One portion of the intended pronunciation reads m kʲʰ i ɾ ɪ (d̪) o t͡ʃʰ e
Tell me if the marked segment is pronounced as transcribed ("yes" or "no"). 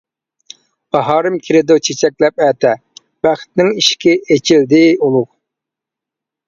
yes